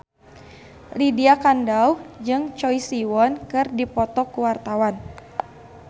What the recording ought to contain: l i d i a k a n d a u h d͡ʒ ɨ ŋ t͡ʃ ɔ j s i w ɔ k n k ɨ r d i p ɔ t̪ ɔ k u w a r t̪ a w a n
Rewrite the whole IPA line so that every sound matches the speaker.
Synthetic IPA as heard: l i d i a k a n d a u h d͡ʒ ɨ ŋ t͡ʃ ɔ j s i w ɔ n k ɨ r d i p ɔ t̪ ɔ k u w a r t̪ a w a n